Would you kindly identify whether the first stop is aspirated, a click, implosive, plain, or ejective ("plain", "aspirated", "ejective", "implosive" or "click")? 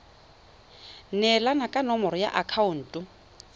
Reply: ejective